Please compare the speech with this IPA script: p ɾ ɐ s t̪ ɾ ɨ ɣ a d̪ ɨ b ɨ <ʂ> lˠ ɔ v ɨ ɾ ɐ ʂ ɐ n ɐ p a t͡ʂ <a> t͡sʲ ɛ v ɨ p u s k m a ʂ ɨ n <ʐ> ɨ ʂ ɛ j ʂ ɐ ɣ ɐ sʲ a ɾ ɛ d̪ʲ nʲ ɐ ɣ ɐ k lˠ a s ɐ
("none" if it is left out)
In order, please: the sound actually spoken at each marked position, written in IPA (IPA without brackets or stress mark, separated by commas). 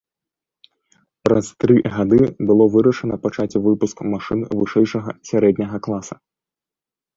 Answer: none, a, v